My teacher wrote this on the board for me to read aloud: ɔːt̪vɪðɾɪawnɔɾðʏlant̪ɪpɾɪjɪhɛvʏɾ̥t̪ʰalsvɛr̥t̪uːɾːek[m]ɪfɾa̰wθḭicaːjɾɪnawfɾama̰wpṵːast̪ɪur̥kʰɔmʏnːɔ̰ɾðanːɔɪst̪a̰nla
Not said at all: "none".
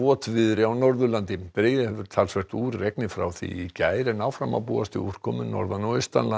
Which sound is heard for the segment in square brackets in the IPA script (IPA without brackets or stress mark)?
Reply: n